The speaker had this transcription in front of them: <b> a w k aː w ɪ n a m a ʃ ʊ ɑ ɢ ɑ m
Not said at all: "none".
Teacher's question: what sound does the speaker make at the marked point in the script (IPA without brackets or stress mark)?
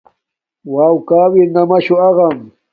w